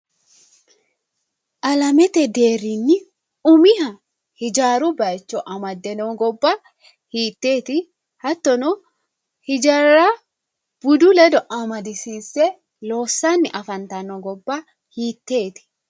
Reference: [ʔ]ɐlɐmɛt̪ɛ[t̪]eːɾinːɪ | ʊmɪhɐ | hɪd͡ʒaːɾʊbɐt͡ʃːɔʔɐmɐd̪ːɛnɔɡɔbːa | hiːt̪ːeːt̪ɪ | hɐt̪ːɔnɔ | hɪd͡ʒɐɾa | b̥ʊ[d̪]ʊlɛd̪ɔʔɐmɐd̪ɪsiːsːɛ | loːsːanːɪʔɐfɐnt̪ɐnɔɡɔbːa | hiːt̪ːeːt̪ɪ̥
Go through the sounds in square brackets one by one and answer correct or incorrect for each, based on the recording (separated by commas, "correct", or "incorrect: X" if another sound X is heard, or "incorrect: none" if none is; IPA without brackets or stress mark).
correct, incorrect: d̪, correct